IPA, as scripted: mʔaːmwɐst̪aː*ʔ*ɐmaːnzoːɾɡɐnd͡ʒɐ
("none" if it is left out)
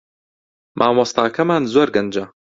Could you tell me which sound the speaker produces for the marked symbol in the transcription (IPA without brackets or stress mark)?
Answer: k